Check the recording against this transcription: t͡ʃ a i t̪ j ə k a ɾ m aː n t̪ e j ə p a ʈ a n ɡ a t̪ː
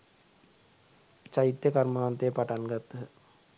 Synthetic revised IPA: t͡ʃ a i t̪ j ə k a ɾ m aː n t̪ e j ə p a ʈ a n ɡ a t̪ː